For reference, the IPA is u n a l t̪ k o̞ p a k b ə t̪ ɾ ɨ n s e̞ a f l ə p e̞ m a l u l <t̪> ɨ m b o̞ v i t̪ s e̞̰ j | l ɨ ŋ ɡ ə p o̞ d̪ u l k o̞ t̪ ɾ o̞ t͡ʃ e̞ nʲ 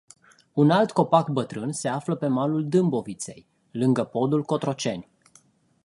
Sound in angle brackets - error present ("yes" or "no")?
yes